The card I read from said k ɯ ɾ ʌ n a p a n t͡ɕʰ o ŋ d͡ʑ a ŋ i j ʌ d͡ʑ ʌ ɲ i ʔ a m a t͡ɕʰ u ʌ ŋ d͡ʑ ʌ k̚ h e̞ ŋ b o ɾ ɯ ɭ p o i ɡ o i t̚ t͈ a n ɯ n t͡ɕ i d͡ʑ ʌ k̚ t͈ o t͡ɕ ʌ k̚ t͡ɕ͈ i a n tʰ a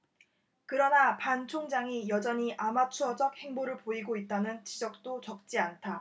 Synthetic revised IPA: k ɯ ɾ ʌ n a p a n t͡ɕʰ o ŋ d͡ʑ a ŋ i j ʌ d͡ʑ ʌ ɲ i ʔ a m a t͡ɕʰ u ʌ d͡ʑ ʌ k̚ h e̞ ŋ b o ɾ ɯ ɭ p o i ɡ o i t̚ t͈ a n ɯ n t͡ɕ i d͡ʑ ʌ k̚ t͈ o t͡ɕ ʌ k̚ t͡ɕ͈ i a n tʰ a